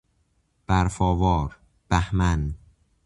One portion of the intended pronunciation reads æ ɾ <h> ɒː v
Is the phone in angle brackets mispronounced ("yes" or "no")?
yes